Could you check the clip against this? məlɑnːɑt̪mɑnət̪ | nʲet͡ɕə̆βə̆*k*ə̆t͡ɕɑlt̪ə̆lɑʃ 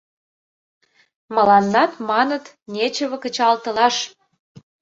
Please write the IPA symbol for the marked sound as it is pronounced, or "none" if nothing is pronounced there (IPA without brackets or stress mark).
k